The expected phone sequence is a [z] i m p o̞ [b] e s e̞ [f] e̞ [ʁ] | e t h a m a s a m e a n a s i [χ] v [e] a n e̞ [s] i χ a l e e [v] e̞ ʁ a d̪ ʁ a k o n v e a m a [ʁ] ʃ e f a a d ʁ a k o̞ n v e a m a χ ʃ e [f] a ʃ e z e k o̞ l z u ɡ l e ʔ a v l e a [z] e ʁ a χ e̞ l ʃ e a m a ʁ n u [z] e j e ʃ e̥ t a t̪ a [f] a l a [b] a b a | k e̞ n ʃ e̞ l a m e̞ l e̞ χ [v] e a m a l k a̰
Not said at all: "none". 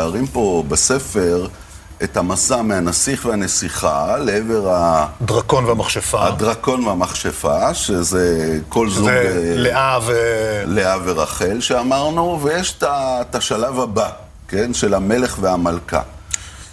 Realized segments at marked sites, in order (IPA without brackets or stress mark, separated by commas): ʁ, b, f, ʁ, χ, e, s, v, χ, f, v, v, ʃ, v, v